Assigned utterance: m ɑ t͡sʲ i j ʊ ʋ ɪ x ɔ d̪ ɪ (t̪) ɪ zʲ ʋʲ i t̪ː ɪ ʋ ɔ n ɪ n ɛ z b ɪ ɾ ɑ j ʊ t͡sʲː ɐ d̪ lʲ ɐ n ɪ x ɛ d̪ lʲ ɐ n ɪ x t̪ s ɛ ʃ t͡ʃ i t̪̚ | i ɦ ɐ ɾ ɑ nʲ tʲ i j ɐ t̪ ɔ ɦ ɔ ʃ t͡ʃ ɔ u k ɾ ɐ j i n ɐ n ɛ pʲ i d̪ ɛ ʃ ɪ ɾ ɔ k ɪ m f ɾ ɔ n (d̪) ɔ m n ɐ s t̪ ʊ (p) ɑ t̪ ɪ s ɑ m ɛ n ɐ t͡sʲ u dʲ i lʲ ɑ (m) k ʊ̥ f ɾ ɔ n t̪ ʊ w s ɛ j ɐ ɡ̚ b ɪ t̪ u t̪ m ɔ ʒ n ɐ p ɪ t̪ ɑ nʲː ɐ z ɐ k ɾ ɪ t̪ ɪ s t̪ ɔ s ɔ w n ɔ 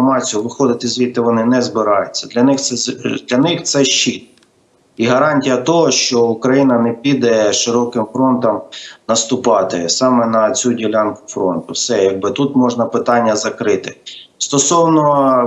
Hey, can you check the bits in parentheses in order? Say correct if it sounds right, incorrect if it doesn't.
correct, incorrect: t̪, correct, incorrect: n

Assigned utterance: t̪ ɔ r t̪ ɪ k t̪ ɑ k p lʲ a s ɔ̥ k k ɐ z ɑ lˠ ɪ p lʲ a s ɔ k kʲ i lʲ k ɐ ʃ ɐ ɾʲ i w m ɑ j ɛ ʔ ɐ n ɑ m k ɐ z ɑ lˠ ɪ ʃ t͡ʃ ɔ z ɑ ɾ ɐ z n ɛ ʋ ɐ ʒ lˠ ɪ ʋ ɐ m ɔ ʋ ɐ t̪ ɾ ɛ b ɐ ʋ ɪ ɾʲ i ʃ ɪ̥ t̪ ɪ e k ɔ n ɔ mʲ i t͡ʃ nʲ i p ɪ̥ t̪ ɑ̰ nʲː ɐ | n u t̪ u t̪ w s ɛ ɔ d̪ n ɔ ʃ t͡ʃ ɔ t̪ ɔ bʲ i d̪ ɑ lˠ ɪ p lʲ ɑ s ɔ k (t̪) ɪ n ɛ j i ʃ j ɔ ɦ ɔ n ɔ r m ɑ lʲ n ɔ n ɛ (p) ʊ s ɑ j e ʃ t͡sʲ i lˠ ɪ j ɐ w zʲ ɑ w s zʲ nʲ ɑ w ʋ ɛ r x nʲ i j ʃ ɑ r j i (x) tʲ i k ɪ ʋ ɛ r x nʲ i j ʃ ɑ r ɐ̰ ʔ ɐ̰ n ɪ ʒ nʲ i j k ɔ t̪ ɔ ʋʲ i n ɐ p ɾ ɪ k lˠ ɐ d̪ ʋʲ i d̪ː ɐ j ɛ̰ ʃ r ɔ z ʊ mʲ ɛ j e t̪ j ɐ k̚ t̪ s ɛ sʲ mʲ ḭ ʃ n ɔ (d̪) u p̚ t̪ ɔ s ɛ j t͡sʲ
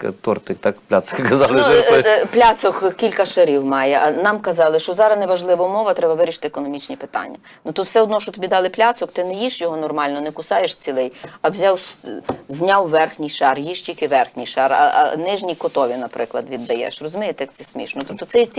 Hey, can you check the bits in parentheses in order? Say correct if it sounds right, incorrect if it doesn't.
correct, incorrect: k, incorrect: ʃ, incorrect: t̪

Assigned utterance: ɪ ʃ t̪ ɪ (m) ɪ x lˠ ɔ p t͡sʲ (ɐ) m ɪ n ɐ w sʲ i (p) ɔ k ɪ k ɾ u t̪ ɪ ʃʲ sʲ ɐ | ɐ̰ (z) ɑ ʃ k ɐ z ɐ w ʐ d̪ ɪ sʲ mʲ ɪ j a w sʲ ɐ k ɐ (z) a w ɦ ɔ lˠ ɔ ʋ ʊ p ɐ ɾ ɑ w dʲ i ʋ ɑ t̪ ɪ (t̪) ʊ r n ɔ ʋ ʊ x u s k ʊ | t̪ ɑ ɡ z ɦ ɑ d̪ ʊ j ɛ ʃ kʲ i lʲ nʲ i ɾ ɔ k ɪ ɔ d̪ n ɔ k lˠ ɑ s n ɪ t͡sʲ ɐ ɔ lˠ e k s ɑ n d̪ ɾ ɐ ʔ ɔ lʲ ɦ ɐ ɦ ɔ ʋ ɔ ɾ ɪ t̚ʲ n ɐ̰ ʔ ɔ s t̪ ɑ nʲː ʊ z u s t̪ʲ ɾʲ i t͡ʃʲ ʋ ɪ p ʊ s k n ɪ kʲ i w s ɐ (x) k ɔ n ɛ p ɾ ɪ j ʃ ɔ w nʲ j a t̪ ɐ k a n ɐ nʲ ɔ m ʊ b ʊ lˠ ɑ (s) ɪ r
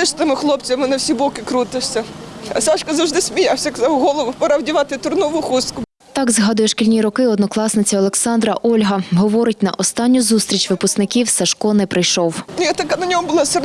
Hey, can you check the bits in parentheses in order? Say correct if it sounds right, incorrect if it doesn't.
correct, correct, incorrect: b, incorrect: s, correct, correct, incorrect: ʃ, correct

